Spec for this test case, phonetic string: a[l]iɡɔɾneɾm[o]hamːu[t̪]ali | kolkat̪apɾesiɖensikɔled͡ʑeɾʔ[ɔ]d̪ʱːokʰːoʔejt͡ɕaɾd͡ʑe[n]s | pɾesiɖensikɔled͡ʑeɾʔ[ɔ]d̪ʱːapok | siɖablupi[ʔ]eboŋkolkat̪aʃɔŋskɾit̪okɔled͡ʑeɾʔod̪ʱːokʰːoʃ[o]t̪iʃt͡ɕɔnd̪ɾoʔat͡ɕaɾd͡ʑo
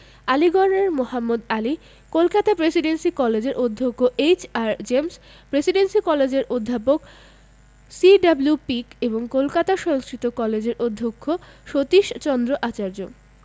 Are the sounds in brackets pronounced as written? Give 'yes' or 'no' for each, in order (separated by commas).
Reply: yes, yes, no, no, no, no, no, yes